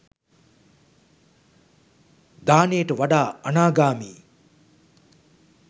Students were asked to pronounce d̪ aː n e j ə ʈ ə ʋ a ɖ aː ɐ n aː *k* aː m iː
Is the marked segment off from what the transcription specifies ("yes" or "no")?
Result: yes